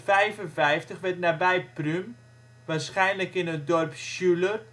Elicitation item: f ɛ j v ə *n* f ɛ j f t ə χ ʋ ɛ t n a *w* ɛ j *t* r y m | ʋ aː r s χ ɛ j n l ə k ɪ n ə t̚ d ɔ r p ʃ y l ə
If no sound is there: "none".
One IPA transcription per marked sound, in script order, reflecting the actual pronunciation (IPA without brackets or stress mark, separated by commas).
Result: n, b, p